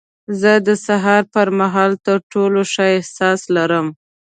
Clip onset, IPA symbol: z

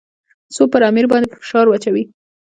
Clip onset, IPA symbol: s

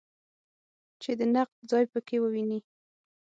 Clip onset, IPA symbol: t͡ʃ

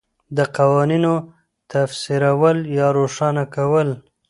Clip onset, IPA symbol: d̪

